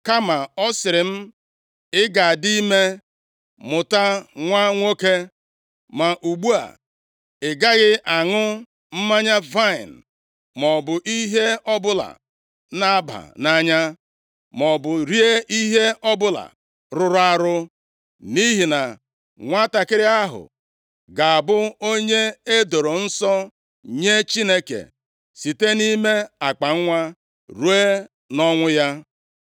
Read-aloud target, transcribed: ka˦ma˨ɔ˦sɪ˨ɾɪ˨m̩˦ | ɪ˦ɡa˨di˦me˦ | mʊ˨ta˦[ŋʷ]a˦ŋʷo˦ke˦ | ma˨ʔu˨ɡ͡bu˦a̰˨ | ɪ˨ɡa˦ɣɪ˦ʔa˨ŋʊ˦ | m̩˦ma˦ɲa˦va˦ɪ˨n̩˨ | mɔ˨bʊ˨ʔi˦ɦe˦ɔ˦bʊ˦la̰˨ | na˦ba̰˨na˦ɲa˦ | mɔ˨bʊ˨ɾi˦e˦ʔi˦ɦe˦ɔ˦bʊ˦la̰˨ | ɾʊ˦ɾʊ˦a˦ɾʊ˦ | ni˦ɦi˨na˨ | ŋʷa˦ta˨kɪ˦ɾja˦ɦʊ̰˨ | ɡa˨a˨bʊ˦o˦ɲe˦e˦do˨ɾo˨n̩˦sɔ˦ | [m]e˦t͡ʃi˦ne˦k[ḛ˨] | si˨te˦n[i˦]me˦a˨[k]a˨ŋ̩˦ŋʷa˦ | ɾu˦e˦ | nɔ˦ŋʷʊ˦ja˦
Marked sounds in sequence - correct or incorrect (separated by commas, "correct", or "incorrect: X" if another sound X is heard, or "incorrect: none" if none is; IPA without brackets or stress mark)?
correct, incorrect: ɲ, correct, correct, incorrect: k͡p